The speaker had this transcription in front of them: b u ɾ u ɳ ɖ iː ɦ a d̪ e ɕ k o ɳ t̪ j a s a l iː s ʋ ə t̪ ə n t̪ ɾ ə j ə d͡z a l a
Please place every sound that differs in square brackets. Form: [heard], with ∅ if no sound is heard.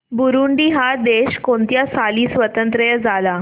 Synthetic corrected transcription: b u ɾ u ɳ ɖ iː ɦ a d̪ e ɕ k o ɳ t̪ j a s a l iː s ʋ ə t̪ ə n t̪ ɾ ə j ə d͡z a l a